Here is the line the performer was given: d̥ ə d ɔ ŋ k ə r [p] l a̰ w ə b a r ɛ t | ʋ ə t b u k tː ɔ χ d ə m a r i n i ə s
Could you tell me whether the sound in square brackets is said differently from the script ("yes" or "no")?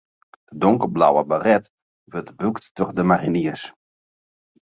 yes